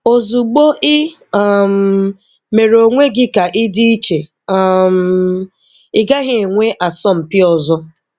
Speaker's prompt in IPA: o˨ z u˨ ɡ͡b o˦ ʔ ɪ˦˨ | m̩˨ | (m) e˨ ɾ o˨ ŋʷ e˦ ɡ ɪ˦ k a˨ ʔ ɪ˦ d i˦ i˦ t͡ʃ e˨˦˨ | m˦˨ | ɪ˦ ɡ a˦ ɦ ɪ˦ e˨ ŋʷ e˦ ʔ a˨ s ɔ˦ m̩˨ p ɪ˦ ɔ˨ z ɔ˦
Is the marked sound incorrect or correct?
correct